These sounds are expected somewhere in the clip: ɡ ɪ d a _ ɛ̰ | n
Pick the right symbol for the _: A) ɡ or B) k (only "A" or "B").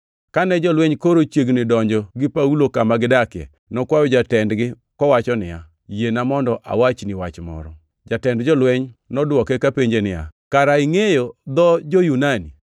B